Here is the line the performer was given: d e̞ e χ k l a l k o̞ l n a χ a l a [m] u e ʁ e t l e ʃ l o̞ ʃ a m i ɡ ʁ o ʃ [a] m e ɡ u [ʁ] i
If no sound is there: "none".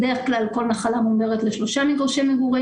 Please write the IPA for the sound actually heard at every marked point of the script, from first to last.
m, e, ʁ

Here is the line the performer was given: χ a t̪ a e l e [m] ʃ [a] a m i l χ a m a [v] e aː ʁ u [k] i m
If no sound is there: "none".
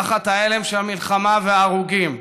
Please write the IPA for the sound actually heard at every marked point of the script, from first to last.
m, e, v, ɡ

